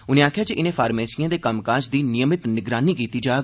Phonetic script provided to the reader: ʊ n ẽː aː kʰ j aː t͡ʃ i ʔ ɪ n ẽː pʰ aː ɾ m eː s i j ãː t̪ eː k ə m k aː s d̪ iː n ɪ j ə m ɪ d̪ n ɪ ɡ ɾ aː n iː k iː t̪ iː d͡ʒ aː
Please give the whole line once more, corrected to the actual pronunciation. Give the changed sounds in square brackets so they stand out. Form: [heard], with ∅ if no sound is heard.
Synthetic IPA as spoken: ʊ n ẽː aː kʰ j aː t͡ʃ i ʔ ɪ n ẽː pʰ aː ɾ m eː s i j ãː [d̪] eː k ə m k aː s d̪ iː n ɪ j ə m ɪ [t̪] n ɪ ɡ ɾ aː n iː k iː t̪ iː d͡ʒ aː